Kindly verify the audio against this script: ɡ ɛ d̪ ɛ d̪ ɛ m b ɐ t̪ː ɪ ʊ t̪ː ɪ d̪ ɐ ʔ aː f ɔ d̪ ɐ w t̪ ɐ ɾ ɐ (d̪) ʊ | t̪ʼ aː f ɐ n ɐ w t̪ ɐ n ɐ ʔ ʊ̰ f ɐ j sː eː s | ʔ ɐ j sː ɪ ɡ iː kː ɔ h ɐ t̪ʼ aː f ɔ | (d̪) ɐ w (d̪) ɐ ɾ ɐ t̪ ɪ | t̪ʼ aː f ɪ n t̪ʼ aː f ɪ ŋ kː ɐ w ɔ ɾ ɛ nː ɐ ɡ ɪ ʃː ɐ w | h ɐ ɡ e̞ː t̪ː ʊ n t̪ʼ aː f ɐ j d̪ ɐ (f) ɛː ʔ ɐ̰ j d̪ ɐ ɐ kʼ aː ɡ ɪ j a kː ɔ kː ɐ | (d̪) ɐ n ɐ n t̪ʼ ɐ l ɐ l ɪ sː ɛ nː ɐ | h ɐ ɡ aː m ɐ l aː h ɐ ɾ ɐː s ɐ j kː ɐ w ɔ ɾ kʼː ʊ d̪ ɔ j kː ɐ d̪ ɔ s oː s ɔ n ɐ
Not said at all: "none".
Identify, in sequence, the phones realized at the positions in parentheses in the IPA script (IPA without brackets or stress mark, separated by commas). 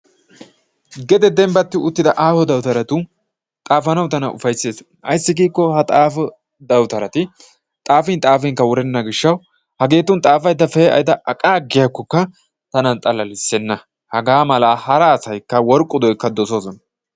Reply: t̪, d̪, t̪, f, t̪